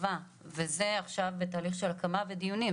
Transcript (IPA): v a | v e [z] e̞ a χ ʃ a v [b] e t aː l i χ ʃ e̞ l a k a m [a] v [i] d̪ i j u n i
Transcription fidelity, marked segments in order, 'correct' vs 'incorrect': correct, correct, correct, incorrect: e

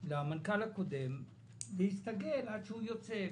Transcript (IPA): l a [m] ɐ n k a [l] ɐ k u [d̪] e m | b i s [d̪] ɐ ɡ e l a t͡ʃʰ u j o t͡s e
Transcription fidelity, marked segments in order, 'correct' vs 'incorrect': correct, correct, correct, incorrect: t̪

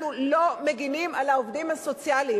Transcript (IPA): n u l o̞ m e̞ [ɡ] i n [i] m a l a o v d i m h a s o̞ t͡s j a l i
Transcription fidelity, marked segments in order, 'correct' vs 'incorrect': correct, correct

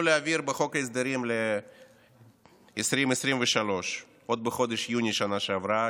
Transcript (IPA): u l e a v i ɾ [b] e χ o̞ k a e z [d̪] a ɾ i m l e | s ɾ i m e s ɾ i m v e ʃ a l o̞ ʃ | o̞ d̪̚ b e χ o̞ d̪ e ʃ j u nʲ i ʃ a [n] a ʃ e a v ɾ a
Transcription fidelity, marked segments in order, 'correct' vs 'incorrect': correct, correct, correct

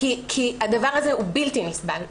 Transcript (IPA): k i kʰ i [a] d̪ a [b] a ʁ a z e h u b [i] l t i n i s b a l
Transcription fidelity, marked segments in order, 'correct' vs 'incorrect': correct, incorrect: v, correct

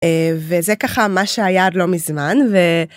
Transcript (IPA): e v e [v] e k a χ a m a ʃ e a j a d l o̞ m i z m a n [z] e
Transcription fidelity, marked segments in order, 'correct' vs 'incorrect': incorrect: z, incorrect: v

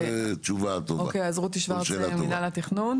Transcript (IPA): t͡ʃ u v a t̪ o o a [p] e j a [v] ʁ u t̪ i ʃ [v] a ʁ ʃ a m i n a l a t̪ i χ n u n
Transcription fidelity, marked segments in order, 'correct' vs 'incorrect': incorrect: k, incorrect: z, correct

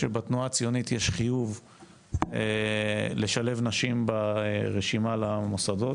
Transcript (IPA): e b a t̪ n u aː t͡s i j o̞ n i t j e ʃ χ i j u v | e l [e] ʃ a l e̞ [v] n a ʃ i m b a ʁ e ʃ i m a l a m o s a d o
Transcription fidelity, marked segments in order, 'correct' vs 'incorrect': correct, correct

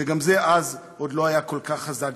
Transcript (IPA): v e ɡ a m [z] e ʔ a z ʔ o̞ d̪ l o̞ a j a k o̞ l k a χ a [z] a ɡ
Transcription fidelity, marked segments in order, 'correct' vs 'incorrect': correct, correct

